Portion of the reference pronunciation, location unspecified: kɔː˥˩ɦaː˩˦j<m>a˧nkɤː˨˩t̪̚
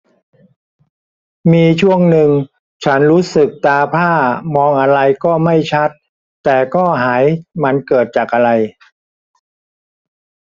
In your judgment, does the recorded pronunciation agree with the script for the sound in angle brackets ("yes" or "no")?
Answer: yes